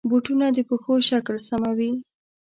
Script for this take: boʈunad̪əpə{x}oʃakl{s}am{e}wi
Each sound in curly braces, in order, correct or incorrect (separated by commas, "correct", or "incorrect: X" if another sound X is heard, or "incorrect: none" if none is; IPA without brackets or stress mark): correct, correct, incorrect: a